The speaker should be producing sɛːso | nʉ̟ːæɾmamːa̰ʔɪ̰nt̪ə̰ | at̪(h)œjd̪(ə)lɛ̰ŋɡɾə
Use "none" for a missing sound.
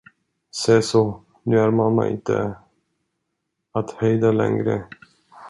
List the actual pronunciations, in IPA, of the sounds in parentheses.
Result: h, a

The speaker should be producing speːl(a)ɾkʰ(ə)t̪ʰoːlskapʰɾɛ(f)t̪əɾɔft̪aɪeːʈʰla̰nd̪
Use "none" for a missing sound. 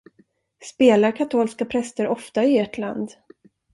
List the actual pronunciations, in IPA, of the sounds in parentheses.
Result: a, a, s

